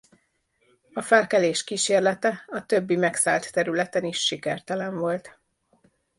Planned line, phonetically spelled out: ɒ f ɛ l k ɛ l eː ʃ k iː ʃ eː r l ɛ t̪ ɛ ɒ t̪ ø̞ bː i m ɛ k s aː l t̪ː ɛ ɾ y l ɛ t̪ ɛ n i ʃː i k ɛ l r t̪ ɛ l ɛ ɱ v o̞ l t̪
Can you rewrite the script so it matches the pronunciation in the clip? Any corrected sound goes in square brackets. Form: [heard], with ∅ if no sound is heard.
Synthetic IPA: ɒ f ɛ l k ɛ l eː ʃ k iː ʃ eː r l ɛ t̪ ɛ ɒ t̪ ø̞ bː i m ɛ k s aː l t̪ː ɛ ɾ y l ɛ t̪ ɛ n i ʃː i k ɛ [∅] r t̪ ɛ l ɛ ɱ v o̞ l t̪